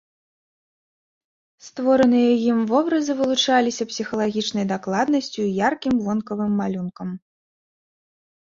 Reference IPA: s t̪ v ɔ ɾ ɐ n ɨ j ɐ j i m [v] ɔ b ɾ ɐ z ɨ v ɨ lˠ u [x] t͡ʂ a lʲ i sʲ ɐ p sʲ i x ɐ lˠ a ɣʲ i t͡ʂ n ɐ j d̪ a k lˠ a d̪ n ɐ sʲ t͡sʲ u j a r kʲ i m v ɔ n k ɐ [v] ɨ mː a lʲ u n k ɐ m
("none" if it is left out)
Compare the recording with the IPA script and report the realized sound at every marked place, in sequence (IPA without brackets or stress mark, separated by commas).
v, none, v